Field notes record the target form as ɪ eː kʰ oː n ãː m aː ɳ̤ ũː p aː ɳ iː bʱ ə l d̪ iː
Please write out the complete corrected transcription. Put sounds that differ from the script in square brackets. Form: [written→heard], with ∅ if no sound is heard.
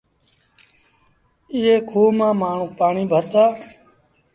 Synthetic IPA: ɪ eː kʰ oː [n→m] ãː m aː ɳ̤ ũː p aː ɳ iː bʱ ə [l→ɾ] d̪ [iː→aː]